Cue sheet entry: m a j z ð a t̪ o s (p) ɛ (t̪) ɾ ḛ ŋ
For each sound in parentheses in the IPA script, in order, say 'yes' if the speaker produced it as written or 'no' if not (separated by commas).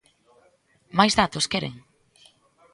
no, no